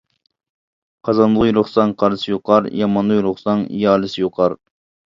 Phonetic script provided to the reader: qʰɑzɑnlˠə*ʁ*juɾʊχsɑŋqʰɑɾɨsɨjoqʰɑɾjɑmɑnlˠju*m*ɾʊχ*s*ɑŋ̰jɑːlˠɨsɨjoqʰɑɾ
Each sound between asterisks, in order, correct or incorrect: correct, incorrect, correct

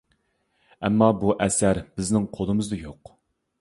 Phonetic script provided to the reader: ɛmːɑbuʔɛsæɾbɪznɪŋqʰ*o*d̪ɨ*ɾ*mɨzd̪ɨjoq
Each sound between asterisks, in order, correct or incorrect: correct, incorrect

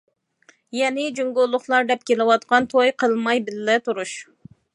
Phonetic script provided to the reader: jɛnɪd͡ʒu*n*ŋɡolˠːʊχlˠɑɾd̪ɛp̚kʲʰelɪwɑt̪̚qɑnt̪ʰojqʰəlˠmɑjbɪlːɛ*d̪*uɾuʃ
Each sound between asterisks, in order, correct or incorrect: incorrect, incorrect

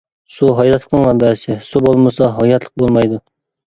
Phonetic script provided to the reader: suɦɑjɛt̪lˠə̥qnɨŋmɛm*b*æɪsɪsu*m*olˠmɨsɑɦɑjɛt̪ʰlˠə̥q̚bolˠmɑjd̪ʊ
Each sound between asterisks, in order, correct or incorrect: correct, incorrect

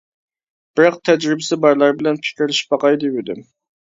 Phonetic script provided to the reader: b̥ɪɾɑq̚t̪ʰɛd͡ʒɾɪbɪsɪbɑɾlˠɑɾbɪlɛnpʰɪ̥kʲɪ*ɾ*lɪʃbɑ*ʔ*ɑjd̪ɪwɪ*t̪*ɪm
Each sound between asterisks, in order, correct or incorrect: correct, incorrect, incorrect

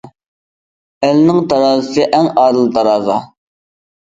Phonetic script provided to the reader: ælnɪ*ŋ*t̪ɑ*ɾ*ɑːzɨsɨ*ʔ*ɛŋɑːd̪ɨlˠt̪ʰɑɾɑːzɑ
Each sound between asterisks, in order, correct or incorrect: correct, correct, correct

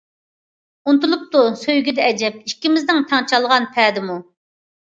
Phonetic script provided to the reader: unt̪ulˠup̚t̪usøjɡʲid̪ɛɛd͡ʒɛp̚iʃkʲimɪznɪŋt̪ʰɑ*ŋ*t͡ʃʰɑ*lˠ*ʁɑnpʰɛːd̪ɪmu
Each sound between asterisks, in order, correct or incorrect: correct, correct

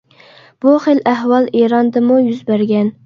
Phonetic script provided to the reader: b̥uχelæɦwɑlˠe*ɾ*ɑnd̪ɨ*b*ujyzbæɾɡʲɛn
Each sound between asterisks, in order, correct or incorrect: correct, incorrect

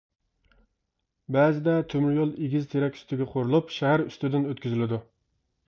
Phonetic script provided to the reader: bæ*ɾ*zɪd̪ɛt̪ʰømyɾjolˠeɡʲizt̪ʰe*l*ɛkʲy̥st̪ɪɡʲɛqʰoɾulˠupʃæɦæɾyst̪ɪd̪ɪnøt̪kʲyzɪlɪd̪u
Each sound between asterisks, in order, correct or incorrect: incorrect, incorrect

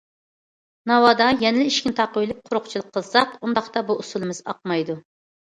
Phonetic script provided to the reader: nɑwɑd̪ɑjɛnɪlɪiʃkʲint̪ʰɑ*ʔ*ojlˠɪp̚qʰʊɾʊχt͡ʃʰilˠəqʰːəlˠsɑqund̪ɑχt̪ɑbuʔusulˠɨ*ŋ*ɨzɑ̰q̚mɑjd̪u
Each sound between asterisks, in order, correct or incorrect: incorrect, incorrect

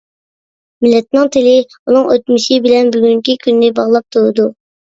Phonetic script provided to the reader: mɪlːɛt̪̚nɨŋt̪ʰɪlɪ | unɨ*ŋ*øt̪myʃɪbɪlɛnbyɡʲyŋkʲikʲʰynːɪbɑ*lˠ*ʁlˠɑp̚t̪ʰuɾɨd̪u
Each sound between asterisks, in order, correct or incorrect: correct, incorrect

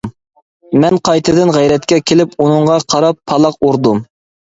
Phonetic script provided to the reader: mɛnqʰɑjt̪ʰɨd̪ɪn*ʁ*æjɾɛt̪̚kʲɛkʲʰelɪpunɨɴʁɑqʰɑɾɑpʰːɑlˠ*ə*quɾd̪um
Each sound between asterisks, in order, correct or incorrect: correct, incorrect

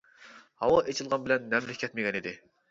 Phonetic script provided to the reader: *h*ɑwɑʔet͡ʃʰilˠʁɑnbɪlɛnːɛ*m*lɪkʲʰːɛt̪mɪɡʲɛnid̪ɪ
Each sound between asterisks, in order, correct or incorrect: correct, correct

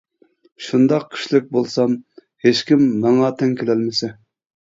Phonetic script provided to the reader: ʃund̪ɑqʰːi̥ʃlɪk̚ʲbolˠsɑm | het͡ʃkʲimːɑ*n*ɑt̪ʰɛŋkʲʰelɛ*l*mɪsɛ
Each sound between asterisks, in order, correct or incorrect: incorrect, correct

